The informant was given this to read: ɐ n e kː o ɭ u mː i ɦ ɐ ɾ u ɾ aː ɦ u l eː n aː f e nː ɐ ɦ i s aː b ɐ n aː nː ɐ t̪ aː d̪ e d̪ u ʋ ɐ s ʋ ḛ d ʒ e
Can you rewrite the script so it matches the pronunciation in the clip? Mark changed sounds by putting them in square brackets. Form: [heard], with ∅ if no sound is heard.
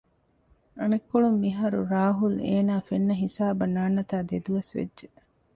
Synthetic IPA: ɐ n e kː o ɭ u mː i ɦ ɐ ɾ u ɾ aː ɦ u l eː n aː f e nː ɐ ɦ i s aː b ɐ n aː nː ɐ t̪ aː d̪ e d̪ u ʋ ɐ s ʋ ḛ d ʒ e